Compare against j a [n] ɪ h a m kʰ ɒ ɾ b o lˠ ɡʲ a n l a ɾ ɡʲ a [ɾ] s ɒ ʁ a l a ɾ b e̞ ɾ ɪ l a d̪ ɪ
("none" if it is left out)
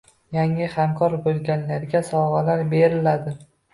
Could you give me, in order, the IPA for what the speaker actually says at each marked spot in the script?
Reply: ŋ, none

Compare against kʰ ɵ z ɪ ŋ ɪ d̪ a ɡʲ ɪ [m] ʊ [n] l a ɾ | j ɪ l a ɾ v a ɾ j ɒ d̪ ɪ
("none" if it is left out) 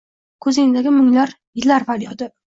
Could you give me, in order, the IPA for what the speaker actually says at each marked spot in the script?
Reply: m, ŋ

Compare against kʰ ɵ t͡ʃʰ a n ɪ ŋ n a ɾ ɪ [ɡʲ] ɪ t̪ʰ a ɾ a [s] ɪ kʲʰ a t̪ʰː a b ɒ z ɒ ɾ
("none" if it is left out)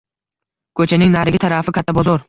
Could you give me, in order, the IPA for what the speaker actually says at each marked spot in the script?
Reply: ɡʲ, f

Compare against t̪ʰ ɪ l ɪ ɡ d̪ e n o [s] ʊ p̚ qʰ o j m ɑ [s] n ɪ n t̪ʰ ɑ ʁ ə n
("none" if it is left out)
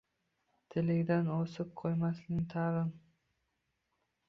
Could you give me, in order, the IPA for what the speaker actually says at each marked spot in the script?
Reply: s, s

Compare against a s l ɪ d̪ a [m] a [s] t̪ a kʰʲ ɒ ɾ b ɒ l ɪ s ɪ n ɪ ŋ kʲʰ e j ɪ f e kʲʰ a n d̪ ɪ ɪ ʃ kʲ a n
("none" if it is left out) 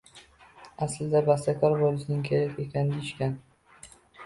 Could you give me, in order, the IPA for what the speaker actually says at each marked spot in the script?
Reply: b, s

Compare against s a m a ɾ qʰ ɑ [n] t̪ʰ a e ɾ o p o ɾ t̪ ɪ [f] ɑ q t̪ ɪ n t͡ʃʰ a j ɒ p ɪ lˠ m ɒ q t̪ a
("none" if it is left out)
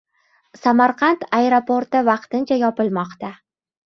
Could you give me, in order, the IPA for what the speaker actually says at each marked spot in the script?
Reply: n, v

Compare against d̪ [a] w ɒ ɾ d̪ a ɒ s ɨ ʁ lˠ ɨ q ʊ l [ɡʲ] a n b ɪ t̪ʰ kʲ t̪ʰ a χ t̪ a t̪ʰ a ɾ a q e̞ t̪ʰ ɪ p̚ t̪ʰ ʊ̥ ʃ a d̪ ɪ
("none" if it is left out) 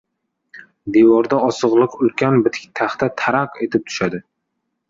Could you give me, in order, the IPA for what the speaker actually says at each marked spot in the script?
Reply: e, kʲ

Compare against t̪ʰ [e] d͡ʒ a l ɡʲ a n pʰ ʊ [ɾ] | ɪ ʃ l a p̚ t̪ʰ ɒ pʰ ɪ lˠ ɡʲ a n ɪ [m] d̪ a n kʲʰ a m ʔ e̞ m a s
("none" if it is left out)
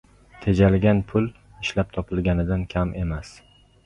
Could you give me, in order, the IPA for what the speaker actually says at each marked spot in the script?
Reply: e, l, none

